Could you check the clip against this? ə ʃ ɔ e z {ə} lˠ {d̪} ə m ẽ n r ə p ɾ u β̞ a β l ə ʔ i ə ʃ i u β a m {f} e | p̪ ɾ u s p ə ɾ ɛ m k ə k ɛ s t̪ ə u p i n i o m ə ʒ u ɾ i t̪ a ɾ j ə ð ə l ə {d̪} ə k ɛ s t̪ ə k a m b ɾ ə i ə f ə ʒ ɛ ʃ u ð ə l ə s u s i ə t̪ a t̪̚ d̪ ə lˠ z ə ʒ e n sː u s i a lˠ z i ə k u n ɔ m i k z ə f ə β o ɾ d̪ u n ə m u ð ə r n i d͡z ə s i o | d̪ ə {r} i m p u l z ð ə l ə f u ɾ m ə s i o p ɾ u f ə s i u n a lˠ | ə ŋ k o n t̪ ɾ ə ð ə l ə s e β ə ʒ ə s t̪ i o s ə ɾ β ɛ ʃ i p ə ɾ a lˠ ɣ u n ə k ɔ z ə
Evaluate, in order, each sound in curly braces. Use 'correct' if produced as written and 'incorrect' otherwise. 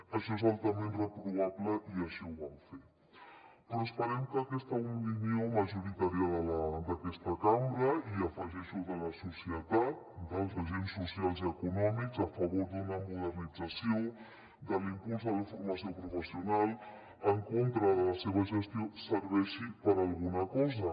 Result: incorrect, incorrect, correct, correct, incorrect

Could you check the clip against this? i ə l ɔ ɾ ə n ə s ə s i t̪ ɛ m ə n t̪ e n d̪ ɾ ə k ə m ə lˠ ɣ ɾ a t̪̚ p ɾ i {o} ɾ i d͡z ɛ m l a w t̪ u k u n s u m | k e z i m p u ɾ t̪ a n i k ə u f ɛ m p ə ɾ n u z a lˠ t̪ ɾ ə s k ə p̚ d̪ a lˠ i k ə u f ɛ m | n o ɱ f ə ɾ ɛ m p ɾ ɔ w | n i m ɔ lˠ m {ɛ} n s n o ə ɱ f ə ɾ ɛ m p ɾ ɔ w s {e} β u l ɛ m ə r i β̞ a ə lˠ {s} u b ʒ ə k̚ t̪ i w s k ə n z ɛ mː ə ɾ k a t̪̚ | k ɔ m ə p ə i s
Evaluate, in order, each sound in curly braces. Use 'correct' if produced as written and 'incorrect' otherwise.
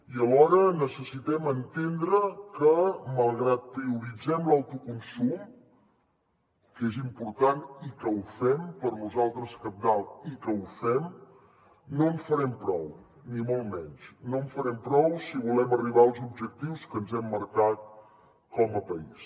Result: incorrect, correct, incorrect, incorrect

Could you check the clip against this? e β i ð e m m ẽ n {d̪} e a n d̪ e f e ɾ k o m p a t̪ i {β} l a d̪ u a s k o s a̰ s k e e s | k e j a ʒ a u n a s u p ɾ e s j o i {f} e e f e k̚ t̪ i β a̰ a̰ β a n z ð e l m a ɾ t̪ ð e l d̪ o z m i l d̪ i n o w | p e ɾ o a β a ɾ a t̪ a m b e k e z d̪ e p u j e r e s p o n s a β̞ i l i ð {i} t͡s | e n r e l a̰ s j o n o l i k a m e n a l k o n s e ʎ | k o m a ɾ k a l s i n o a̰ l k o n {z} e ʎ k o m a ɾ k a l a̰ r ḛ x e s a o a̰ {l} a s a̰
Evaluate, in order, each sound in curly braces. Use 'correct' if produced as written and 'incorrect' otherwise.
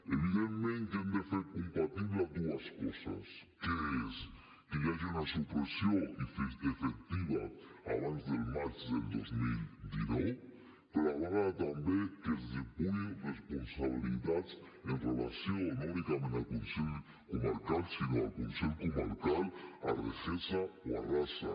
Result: incorrect, correct, correct, incorrect, incorrect, incorrect

